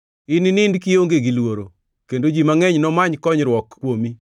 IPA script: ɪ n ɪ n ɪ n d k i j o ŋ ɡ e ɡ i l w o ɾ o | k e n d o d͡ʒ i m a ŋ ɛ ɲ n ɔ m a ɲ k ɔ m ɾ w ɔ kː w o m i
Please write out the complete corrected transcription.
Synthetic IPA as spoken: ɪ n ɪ n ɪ n d k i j o ŋ ɡ e ɡ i l w o ɾ o | k e n d o d͡ʒ i m a ŋ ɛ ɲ n ɔ m a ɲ k ɔ ɲ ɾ w ɔ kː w o m i